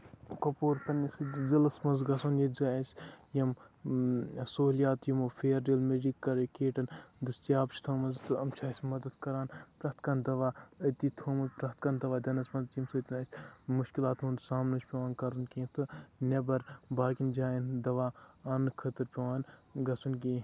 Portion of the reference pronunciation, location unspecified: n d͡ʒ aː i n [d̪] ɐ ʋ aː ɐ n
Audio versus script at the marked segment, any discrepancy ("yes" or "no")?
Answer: no